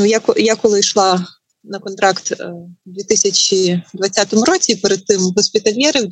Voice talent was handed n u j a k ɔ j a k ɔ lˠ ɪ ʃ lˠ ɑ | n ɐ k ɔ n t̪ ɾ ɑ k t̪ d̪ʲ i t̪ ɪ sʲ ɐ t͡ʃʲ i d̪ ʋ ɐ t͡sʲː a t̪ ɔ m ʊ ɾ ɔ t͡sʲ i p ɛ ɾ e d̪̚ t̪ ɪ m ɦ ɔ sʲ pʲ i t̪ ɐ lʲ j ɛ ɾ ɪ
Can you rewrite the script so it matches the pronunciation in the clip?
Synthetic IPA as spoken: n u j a k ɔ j a k ɔ lˠ ɪ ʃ lˠ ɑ | n ɐ k ɔ n t̪ ɾ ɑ k t̪ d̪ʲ i t̪ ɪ sʲ ɐ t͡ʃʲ i d̪ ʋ ɐ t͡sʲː a t̪ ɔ m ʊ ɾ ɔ t͡sʲ i p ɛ ɾ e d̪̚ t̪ ɪ m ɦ ɔ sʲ pʲ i t̪ ɐ lʲ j ɛ ɾ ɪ